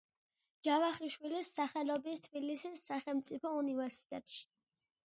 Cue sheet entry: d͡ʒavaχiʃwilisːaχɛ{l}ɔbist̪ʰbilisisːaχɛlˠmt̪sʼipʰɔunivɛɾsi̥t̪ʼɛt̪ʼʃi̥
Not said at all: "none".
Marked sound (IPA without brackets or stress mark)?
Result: l